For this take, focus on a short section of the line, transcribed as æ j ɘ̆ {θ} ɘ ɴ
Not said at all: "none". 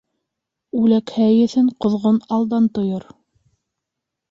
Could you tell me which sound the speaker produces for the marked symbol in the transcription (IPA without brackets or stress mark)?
θ